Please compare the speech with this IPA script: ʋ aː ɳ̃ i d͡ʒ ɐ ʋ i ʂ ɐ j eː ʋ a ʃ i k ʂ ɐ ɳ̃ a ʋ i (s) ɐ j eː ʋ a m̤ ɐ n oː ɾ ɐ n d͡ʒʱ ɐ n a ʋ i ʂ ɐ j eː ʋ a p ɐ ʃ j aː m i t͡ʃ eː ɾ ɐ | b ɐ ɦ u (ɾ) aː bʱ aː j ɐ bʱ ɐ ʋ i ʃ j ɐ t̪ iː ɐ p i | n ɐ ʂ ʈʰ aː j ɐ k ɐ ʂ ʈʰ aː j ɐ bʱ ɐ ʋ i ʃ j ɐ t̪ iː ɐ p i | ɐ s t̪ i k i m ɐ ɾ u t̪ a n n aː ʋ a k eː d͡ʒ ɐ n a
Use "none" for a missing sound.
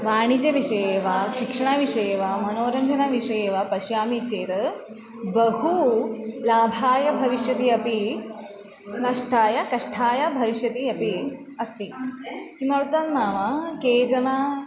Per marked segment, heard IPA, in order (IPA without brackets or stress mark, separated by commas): ʂ, l